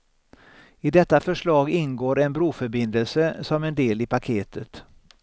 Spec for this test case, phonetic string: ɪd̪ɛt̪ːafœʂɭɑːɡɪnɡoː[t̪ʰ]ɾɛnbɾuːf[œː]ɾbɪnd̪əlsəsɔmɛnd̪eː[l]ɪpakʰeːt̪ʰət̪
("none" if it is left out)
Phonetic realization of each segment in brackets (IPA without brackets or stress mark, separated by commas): none, œ, l